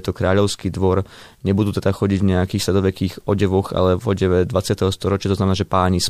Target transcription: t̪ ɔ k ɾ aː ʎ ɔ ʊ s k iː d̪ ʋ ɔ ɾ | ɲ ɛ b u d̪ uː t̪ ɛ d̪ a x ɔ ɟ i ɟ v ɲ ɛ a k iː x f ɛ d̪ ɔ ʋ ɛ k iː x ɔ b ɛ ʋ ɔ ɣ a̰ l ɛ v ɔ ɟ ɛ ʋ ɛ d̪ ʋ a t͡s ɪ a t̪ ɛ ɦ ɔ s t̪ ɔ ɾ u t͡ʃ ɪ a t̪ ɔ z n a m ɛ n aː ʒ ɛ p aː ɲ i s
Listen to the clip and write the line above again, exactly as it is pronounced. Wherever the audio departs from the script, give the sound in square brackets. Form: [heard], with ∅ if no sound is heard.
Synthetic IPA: t̪ ɔ k ɾ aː ʎ ɔ ʊ s k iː d̪ ʋ ɔ ɾ | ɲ ɛ b u d̪ uː t̪ ɛ d̪ a x ɔ ɟ i ɟ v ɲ ɛ a k iː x [s] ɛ d̪ ɔ ʋ ɛ k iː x ɔ [ɟ] ɛ ʋ ɔ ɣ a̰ l ɛ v ɔ ɟ ɛ ʋ ɛ d̪ ʋ a t͡s ɪ a t̪ ɛ ɦ ɔ s t̪ ɔ ɾ [ɔ] t͡ʃ ɪ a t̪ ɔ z n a m ɛ n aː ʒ ɛ p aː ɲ i s